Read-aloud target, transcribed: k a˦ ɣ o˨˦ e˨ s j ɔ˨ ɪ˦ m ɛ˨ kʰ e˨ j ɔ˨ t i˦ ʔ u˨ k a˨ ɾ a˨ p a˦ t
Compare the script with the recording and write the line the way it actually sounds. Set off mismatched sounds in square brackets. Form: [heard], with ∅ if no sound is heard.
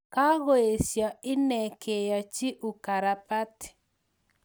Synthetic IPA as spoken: k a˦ ɣ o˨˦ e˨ s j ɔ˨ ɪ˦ [n] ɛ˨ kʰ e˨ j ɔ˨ [t͡ʃ] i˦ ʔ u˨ k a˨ ɾ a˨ p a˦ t

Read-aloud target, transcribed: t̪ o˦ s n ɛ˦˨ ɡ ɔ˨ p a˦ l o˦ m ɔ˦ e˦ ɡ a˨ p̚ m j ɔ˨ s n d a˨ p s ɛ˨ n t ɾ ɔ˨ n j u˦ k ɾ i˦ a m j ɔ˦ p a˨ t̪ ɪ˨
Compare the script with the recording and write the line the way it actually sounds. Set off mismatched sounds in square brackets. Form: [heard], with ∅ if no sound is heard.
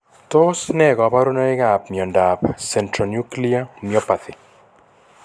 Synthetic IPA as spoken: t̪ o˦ s n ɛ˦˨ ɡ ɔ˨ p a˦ [ɾ] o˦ [n] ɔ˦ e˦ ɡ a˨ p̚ m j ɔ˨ [∅] n d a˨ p s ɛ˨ n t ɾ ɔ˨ n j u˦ k [l] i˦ a m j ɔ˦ p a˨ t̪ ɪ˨

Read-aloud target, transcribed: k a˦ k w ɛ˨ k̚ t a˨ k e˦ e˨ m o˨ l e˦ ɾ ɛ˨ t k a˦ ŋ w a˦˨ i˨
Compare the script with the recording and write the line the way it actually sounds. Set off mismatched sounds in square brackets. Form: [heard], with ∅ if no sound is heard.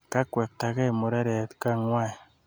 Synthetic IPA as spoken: k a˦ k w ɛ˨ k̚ t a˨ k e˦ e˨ m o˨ [ɾ] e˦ ɾ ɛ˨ t k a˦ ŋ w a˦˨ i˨

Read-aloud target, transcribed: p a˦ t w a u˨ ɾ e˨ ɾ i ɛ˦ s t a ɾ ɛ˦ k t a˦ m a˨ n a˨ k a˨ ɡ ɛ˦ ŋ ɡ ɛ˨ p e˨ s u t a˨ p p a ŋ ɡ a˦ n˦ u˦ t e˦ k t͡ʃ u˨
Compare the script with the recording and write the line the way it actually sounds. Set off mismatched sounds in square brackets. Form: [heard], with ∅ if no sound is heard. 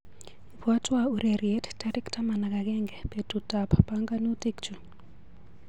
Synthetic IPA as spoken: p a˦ t w a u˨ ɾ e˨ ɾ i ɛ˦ [t] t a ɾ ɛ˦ k t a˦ m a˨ n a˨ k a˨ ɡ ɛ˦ ŋ ɡ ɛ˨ p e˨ [t] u t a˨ p p a ŋ ɡ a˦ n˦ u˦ t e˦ k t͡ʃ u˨

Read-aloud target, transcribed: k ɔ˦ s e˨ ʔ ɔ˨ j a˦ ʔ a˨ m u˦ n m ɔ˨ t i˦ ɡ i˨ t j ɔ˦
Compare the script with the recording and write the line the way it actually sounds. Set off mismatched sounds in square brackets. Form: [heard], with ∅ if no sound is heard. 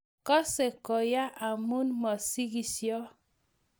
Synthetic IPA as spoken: k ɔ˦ s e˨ [k] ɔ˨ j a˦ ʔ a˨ m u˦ n m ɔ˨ [s] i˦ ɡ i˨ [s] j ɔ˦

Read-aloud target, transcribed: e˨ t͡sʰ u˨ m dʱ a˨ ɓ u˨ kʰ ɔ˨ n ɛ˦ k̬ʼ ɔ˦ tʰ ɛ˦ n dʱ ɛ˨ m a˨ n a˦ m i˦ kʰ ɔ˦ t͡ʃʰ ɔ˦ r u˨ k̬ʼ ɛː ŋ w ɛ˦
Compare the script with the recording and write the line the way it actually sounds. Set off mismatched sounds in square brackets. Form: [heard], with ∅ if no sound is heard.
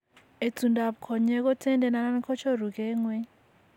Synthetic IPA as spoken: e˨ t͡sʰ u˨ [n] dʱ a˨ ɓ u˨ kʰ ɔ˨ [ɲ] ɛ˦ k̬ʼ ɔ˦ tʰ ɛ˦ n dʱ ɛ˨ [n] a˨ n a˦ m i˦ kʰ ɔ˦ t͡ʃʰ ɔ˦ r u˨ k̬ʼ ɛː ŋ w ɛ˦

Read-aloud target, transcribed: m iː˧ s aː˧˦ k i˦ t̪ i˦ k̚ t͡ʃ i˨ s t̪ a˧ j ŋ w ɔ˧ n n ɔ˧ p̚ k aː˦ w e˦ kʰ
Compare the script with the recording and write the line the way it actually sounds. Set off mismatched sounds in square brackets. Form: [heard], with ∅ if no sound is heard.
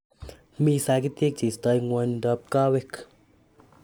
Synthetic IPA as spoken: m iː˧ s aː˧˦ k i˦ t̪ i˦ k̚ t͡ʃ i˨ s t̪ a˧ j ŋ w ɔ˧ n [d] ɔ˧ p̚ k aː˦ w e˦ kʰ

